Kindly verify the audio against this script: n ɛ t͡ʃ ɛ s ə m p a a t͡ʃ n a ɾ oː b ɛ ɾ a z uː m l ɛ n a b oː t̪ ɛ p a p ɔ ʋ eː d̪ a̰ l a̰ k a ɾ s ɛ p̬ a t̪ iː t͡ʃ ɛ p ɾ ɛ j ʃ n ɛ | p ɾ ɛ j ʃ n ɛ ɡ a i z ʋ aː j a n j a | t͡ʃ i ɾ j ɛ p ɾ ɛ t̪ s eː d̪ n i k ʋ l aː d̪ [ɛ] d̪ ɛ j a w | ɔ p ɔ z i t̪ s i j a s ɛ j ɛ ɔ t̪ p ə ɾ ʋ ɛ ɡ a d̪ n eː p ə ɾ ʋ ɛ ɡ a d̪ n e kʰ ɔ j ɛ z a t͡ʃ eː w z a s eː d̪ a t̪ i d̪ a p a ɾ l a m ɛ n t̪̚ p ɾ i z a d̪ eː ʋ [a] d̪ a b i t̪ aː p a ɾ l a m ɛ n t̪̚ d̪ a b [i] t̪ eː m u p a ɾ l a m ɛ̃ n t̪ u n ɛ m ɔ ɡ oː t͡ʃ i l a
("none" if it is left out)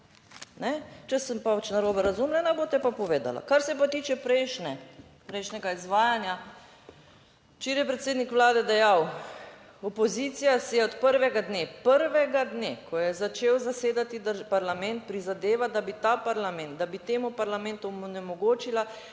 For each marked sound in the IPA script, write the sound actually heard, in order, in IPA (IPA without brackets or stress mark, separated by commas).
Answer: ɛ, a, i